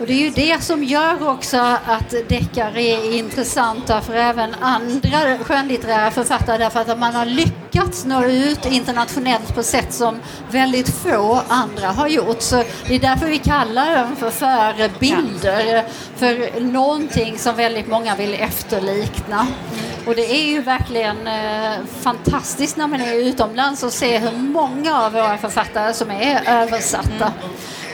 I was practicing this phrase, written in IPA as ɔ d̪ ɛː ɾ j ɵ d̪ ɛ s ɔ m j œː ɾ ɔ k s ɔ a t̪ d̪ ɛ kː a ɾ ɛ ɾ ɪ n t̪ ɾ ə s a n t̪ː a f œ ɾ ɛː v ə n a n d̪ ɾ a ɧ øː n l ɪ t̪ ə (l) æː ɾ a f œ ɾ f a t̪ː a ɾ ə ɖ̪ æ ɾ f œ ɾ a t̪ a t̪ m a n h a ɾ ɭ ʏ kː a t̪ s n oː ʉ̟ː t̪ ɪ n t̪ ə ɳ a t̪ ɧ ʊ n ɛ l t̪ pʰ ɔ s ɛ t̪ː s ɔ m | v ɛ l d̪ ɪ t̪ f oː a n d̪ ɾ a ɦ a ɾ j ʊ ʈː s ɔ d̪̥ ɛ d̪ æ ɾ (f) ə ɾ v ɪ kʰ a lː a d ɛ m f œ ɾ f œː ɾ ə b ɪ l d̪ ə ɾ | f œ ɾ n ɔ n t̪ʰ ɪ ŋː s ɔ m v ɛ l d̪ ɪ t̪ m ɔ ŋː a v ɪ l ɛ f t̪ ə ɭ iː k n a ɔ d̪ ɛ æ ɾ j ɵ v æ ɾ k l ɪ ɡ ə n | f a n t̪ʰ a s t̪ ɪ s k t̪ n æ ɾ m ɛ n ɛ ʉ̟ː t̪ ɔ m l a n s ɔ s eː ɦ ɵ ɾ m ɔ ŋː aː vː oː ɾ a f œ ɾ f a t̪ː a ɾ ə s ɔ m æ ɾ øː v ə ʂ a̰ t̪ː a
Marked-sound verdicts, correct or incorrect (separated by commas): incorrect, correct